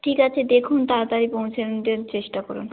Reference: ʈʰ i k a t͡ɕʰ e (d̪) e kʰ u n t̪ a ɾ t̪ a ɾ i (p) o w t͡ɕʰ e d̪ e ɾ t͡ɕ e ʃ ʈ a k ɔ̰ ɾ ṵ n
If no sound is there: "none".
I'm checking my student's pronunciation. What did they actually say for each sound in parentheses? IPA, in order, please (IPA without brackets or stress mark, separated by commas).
d̪, p